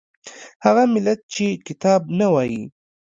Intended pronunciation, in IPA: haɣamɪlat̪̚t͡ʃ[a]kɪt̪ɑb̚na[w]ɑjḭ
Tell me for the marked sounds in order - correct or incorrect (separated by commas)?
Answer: incorrect, correct